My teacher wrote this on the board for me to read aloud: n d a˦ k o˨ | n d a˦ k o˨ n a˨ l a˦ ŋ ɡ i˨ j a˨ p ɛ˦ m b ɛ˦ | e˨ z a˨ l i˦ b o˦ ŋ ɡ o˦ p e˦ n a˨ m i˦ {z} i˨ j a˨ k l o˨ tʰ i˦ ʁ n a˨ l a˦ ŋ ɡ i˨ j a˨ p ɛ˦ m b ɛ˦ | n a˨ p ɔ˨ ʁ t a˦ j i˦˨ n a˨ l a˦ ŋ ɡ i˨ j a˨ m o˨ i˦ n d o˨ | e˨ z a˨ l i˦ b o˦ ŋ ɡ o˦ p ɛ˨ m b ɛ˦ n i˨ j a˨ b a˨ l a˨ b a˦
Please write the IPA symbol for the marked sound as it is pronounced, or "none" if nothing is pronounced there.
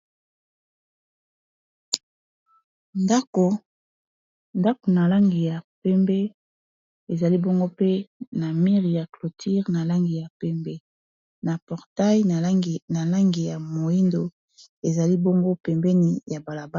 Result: ʁ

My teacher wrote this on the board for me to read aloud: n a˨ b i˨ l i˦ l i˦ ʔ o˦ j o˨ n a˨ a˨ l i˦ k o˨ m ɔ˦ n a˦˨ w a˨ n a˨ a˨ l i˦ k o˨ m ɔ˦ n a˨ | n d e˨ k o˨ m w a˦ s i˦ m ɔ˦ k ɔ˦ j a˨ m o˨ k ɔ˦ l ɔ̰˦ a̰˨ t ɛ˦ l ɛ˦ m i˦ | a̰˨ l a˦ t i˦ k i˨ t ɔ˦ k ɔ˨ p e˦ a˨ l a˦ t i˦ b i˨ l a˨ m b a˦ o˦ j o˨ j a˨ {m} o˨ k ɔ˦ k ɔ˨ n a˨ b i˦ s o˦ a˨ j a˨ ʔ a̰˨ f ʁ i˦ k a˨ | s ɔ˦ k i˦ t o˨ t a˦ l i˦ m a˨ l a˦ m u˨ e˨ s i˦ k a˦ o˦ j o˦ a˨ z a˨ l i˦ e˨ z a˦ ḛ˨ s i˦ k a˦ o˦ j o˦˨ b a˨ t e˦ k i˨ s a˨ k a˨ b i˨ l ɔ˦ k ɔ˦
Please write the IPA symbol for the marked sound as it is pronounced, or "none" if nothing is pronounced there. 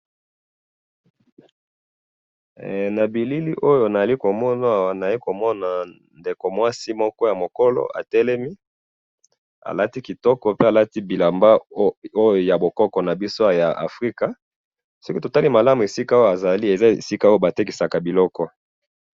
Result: b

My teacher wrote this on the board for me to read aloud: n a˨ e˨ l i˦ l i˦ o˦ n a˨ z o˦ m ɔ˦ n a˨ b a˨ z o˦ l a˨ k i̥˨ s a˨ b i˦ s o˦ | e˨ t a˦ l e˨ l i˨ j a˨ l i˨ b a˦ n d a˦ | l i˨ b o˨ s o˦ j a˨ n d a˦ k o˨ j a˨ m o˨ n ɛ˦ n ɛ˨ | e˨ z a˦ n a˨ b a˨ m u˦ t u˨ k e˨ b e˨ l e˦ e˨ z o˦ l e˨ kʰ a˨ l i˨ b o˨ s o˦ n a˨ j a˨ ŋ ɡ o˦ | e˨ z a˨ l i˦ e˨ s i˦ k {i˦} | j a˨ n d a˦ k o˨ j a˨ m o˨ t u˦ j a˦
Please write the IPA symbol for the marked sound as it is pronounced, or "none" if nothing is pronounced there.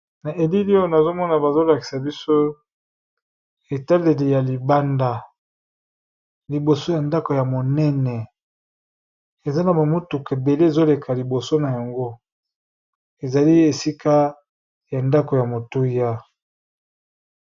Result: a˦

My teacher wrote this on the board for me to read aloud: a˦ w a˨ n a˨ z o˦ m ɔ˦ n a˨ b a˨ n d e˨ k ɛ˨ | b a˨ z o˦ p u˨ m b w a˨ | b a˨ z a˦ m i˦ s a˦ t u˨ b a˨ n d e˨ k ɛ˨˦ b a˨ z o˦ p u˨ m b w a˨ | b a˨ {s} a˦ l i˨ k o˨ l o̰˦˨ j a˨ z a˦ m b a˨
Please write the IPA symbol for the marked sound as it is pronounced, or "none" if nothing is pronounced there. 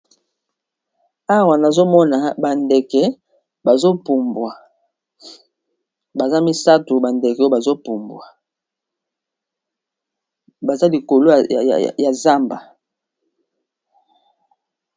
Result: z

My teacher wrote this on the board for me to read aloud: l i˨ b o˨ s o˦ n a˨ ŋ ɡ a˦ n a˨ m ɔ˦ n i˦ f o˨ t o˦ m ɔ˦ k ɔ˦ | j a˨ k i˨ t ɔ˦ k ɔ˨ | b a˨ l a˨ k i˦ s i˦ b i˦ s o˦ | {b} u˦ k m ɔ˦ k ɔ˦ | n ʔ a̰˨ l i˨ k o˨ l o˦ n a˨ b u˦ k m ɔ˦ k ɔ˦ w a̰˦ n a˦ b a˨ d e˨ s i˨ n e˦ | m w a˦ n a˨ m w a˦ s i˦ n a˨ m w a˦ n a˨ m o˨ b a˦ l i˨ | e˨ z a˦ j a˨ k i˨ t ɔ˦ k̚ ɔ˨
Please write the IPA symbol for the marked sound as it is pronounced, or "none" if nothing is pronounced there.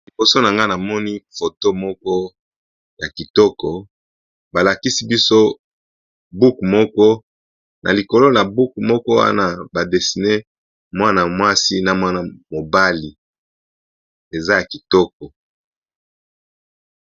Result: b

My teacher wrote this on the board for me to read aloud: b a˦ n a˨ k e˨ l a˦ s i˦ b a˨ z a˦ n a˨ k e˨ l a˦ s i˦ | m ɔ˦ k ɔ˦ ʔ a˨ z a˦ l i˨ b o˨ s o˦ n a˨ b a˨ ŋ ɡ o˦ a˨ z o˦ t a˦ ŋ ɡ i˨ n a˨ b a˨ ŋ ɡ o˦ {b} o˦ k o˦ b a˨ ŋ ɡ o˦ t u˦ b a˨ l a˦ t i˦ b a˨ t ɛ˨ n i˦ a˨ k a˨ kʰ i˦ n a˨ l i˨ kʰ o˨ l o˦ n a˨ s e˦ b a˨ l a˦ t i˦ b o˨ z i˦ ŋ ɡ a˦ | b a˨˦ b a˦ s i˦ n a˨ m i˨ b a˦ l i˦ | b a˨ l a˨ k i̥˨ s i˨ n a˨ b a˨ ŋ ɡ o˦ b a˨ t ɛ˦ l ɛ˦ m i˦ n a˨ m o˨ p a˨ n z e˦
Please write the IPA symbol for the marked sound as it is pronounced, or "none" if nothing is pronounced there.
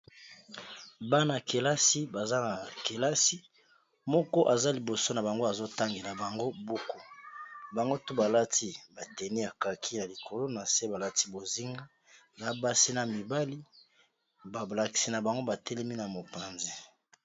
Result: b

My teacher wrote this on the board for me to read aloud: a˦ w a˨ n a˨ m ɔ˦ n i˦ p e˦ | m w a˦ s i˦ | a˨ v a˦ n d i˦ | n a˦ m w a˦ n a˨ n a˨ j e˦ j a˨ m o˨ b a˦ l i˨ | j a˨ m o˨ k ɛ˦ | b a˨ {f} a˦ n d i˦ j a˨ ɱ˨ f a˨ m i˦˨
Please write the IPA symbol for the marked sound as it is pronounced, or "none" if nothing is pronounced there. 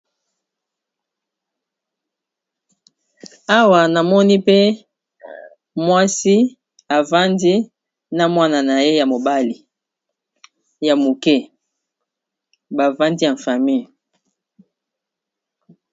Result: v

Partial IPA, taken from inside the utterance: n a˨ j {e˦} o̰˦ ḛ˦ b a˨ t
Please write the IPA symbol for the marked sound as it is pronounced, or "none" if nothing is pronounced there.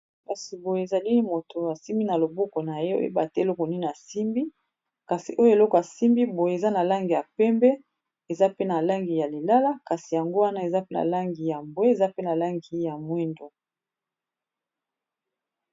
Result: e˦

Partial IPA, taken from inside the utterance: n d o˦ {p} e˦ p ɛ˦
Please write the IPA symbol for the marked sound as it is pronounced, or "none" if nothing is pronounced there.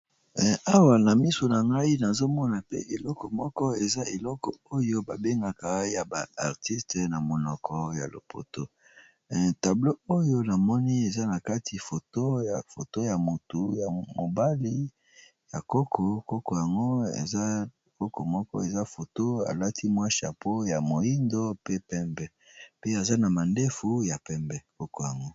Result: p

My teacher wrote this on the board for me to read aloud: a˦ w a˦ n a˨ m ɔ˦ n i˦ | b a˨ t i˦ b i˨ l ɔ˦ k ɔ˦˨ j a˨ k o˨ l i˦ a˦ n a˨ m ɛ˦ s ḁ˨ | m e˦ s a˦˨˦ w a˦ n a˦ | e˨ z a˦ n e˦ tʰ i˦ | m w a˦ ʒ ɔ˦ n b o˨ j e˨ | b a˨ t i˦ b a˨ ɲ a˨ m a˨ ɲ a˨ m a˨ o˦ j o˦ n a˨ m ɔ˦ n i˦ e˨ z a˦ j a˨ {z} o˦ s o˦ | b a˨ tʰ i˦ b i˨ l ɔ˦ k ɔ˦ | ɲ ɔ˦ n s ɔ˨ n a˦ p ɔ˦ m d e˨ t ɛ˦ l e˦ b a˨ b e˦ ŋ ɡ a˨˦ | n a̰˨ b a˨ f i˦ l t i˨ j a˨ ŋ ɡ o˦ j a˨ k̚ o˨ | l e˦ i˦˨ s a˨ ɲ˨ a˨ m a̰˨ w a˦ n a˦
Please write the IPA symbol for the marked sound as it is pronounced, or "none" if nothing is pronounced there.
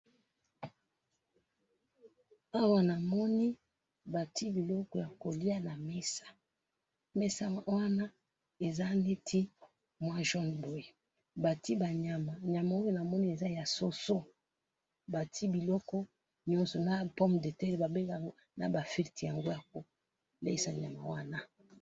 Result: s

